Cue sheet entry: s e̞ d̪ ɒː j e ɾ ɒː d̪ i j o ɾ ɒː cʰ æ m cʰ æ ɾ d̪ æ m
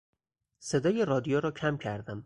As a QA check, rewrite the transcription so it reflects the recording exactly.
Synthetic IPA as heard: s e̞ d̪ ɒː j e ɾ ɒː d̪ i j o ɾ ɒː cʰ æ m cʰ æ ɾ d̪ æ m